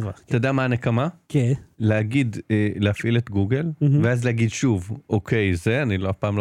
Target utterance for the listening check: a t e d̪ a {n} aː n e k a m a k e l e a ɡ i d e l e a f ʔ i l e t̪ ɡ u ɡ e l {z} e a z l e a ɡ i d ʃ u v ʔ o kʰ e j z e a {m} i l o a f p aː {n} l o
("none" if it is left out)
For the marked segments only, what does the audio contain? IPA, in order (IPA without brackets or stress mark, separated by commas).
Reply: m, v, n, m